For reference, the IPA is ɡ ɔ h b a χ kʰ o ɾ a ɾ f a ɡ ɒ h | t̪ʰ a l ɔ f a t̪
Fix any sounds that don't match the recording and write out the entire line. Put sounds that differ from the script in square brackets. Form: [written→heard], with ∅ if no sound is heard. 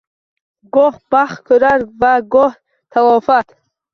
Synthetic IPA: ɡ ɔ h b a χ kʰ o ɾ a ɾ [f→v] a ɡ [ɒ→ɔ] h | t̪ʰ a l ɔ f a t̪